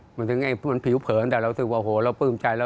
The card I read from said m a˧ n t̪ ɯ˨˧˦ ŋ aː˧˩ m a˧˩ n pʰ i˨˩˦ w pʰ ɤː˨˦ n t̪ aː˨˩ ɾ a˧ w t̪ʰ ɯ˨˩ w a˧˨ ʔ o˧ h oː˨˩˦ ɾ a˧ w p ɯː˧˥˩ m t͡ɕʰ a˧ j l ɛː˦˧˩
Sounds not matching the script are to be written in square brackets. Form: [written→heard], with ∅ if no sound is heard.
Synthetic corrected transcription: m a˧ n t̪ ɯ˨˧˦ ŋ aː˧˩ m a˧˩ n pʰ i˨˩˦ w pʰ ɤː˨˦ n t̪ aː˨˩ ɾ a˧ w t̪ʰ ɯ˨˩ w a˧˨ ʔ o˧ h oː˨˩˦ ɾ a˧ w p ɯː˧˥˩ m [t͡ɕʰ→t͡ɕ] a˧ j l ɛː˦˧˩